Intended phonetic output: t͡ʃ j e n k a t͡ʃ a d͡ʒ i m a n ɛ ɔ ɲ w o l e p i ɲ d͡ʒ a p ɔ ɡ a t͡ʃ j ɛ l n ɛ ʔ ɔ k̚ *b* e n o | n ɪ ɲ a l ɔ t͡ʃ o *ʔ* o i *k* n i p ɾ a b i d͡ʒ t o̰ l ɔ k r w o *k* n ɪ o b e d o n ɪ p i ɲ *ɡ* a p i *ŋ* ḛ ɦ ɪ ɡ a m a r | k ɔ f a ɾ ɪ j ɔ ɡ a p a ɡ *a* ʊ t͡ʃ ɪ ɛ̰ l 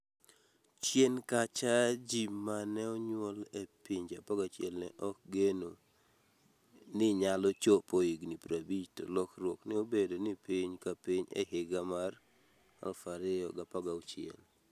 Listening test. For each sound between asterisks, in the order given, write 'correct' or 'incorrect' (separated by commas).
incorrect, incorrect, incorrect, correct, incorrect, incorrect, correct